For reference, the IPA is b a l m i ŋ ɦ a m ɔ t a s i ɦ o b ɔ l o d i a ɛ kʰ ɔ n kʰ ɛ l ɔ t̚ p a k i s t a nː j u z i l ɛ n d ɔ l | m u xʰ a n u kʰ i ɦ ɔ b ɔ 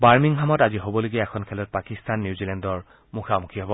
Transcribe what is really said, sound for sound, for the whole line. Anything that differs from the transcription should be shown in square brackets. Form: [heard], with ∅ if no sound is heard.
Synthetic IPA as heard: b a [ɹ] m i ŋ ɦ a m ɔ t a [z] i ɦ o b ɔ l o [ɡ] i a ɛ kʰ ɔ n kʰ ɛ l ɔ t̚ p a k i s t a nː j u z i l ɛ n d ɔ [ɹ] | m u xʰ a [m] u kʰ i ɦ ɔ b ɔ